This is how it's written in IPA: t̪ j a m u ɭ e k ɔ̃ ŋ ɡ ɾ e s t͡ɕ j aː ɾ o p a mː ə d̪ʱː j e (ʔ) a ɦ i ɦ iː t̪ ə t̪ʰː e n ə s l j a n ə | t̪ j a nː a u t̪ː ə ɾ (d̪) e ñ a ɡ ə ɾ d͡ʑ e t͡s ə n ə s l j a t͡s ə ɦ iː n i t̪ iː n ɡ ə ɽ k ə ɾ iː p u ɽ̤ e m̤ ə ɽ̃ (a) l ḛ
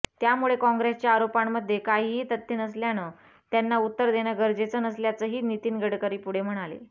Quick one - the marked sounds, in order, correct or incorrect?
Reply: incorrect, correct, correct

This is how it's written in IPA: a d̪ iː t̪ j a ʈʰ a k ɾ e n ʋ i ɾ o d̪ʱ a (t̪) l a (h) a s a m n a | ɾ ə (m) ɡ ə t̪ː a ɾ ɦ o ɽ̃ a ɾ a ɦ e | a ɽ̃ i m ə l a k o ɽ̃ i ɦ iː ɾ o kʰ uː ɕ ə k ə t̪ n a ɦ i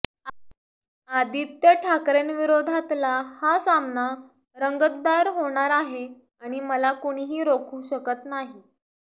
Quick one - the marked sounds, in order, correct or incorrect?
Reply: correct, correct, incorrect

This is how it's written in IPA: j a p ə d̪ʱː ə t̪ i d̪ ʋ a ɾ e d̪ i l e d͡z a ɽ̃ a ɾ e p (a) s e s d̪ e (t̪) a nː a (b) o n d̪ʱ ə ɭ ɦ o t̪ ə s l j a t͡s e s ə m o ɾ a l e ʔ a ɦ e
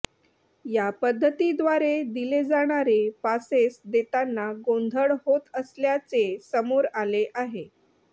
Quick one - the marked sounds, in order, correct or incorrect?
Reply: correct, correct, incorrect

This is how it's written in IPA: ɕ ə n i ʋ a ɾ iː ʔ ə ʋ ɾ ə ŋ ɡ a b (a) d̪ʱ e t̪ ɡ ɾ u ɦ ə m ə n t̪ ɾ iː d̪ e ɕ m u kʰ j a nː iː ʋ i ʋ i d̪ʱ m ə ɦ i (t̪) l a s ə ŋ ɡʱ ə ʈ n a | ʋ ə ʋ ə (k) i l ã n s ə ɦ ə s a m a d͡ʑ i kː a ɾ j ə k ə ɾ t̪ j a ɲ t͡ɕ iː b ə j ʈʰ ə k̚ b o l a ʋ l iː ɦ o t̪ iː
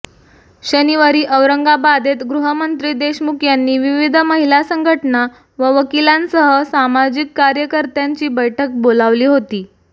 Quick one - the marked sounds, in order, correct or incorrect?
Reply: correct, incorrect, correct

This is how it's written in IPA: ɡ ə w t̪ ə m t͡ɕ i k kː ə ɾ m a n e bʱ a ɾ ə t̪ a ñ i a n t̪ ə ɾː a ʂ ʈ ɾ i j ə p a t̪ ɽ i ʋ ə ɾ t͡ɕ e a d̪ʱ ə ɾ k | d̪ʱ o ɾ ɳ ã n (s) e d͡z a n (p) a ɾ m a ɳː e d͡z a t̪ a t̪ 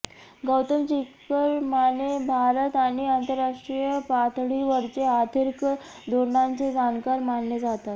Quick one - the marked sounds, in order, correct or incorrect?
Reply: incorrect, incorrect

